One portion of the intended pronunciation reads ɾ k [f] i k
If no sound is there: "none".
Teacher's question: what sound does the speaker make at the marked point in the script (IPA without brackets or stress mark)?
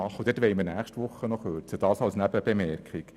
χ